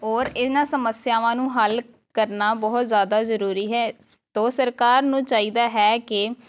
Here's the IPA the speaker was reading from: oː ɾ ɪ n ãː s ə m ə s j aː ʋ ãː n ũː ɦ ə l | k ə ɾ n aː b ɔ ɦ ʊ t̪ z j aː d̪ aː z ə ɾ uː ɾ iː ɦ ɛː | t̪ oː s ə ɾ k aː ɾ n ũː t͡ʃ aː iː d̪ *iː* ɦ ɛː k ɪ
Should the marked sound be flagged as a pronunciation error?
yes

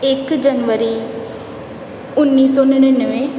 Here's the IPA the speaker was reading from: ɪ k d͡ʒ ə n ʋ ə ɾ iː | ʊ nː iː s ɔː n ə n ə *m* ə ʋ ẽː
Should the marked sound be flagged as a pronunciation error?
yes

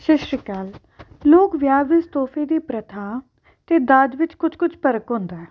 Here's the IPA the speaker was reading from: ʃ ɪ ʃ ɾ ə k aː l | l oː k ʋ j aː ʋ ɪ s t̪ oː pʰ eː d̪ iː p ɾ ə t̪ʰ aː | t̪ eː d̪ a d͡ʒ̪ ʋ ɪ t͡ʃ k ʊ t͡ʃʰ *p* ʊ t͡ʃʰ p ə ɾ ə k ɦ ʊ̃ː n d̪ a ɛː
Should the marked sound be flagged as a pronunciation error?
yes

